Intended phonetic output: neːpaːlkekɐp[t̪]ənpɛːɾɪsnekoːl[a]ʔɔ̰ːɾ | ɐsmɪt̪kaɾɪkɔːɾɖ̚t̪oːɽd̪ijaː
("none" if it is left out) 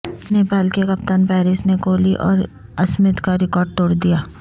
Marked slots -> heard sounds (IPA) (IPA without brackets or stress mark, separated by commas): t̪, i